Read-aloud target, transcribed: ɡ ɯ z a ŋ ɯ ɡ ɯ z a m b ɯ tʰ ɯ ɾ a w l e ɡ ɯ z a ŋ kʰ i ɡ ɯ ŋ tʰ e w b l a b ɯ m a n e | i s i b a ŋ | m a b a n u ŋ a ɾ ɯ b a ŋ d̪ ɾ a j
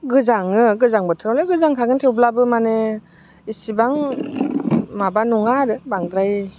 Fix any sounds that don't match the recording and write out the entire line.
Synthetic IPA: ɡ ɯ z a ŋ ɯ ɡ ɯ z a ŋ b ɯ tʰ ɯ ɾ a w l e ɡ ɯ z a ŋ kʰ a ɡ ɯ n tʰ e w b l a b ɯ m a n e | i s i b a ŋ | m a b a n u ŋ a ɾ ɯ b a ŋ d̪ ɾ a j